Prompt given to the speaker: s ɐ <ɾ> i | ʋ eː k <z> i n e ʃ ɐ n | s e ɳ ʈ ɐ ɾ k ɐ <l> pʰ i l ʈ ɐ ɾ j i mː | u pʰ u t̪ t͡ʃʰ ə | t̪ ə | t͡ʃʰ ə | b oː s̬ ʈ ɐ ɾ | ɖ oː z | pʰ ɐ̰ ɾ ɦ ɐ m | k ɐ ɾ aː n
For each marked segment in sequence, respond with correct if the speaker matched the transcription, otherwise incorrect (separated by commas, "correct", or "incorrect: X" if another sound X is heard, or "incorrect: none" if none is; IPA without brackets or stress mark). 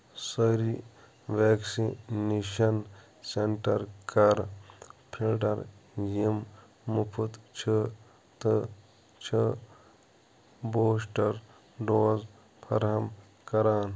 correct, incorrect: s, incorrect: ɾ